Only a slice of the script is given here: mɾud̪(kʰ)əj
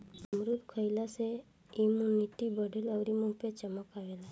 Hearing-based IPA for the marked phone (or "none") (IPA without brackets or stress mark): kʰ